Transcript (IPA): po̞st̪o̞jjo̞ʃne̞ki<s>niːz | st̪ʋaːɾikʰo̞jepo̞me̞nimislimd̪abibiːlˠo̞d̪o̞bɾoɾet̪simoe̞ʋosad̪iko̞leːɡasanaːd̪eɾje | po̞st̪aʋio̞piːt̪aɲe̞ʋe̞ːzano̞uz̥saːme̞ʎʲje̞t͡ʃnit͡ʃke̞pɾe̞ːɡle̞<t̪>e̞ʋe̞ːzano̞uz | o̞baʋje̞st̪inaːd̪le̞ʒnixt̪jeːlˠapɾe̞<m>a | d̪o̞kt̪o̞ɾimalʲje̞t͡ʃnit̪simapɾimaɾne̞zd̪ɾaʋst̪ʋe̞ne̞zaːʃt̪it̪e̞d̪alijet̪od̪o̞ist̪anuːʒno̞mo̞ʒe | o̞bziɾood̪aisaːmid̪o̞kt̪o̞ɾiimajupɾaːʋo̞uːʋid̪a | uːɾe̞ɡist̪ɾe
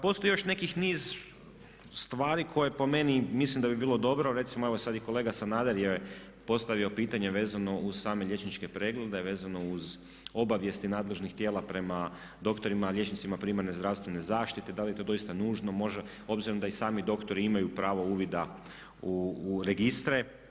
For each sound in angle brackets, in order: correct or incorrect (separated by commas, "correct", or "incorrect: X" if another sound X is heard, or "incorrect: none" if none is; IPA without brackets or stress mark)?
incorrect: x, incorrect: d̪, correct